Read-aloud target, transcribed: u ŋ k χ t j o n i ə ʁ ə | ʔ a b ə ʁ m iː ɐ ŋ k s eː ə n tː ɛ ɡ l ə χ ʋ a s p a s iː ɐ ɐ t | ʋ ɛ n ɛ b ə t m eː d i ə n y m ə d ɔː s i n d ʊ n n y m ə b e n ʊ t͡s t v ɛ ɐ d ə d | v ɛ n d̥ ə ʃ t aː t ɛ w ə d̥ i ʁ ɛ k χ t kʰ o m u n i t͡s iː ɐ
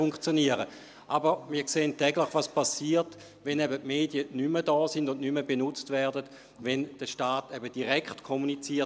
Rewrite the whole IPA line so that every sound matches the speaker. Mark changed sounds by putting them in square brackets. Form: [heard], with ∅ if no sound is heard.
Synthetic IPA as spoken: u ŋ k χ [t͡s] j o n i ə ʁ ə | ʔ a b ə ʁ m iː ɐ [∅] k s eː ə n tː ɛ ɡ l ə χ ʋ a s p a s iː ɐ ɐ t | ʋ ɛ n ɛ b ə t m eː d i ə n y m ə d ɔː s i n d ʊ n n y m ə b e n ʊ t͡s t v ɛ ɐ d ə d | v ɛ n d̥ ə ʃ t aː t ɛ [b] ə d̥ i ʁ ɛ k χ t kʰ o m u n i t͡s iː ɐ